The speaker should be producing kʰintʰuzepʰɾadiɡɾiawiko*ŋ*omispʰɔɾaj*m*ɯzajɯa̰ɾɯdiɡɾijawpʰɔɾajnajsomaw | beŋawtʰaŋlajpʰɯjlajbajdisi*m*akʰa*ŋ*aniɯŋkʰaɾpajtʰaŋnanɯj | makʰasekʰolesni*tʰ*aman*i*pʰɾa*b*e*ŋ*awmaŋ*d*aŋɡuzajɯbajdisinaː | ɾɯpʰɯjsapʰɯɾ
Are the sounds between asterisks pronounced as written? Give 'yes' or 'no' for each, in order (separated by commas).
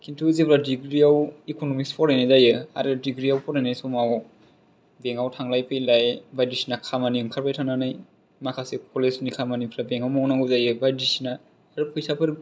no, no, no, no, no, yes, yes, yes, no